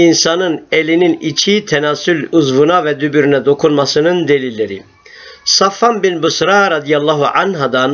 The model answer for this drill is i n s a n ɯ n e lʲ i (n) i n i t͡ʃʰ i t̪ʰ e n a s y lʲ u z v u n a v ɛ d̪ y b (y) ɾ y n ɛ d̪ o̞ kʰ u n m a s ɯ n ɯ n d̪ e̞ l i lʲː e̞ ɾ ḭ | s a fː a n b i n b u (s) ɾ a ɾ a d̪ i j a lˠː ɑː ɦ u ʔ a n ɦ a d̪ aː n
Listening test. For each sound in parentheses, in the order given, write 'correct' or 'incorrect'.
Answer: correct, correct, correct

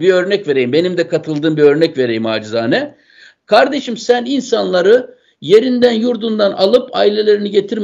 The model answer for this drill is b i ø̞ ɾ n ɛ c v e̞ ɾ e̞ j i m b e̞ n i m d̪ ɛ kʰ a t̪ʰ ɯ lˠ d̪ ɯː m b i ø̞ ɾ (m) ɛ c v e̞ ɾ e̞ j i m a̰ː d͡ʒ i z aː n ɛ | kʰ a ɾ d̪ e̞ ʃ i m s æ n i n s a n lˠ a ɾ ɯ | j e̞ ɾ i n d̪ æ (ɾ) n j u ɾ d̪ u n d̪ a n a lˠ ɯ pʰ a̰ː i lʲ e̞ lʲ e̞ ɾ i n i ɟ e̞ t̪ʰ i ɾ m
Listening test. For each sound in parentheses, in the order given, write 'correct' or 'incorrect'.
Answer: incorrect, incorrect

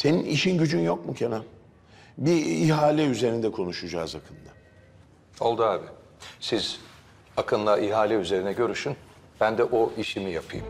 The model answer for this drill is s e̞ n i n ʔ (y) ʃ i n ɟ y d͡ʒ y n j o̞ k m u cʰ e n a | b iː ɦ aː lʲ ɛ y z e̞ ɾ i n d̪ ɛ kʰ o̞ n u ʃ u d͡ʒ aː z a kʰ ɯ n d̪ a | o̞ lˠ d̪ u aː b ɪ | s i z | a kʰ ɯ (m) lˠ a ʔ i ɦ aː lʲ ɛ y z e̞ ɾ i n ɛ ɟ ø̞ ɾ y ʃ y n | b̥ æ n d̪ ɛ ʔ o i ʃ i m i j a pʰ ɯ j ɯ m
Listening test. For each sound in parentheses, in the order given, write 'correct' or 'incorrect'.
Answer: incorrect, incorrect

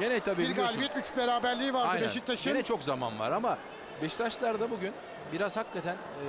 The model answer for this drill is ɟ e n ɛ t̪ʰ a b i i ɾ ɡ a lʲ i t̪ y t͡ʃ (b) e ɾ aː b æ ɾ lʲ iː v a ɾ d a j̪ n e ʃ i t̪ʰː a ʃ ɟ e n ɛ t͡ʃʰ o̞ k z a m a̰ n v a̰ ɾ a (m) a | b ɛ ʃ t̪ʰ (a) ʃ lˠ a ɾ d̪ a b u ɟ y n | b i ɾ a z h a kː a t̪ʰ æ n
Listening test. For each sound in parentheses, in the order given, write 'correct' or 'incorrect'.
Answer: correct, correct, correct

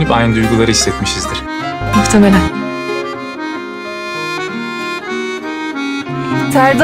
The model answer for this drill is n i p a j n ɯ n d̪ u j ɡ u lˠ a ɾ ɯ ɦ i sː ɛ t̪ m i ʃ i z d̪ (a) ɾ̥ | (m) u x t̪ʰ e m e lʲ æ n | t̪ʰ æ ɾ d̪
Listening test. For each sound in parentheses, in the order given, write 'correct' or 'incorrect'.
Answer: incorrect, correct

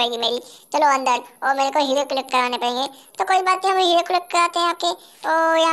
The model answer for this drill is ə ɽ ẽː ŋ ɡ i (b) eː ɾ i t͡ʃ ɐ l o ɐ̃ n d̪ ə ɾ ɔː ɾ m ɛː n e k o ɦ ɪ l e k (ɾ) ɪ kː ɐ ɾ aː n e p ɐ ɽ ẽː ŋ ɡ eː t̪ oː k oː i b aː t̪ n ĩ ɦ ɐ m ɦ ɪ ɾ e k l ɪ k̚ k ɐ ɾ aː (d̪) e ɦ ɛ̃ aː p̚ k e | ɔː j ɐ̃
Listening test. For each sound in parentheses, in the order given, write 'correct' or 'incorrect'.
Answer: incorrect, incorrect, incorrect

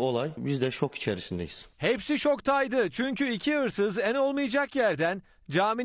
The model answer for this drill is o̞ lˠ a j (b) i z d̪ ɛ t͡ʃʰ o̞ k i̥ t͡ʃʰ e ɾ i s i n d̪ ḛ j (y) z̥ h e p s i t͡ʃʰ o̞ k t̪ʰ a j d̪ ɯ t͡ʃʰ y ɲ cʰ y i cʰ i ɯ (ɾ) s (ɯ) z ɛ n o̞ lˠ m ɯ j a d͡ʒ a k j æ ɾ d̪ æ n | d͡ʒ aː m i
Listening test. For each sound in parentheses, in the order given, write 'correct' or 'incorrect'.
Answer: correct, incorrect, correct, correct

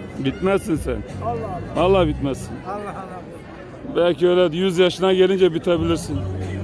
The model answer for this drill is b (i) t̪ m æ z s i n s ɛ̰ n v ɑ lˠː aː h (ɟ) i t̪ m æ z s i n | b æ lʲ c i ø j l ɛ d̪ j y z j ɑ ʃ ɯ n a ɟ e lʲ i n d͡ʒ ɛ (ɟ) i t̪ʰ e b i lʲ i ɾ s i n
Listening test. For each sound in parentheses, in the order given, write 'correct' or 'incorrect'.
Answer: correct, incorrect, incorrect

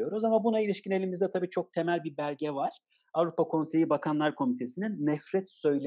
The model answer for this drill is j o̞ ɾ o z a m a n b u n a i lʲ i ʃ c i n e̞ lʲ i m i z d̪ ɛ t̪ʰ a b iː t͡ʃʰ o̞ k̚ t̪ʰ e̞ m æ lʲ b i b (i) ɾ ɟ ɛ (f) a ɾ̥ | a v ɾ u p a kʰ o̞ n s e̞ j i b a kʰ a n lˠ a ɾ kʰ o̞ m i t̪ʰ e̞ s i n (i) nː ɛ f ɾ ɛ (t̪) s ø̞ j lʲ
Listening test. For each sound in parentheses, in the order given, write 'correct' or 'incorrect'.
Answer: incorrect, incorrect, correct, correct

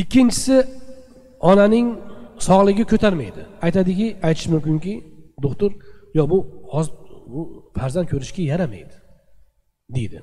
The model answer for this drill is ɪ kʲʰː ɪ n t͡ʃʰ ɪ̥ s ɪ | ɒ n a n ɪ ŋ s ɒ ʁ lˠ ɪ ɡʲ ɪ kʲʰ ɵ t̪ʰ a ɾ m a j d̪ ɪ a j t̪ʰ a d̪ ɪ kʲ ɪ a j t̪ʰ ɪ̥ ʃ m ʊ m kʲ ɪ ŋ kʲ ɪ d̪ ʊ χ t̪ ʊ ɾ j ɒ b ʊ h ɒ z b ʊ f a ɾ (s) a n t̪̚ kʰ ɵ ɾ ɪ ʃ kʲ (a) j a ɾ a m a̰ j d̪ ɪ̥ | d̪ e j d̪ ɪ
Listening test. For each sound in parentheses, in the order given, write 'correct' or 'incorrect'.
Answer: incorrect, correct

